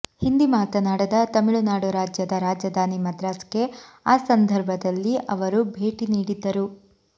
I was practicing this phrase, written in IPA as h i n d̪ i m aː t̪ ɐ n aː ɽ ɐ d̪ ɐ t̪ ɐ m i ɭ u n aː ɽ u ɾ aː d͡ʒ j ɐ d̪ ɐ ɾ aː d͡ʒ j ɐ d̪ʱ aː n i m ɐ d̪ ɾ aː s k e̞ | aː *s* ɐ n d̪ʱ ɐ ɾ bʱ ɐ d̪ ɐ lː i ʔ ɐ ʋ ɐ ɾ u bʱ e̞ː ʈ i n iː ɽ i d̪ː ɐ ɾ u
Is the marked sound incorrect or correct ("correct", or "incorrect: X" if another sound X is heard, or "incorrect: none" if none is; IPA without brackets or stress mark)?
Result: correct